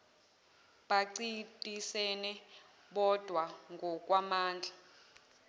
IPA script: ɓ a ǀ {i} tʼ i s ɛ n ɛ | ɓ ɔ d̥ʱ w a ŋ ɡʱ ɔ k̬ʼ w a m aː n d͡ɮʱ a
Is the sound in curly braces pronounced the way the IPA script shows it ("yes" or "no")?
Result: yes